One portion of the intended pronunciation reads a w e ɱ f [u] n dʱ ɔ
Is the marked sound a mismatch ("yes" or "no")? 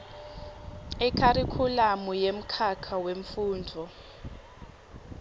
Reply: yes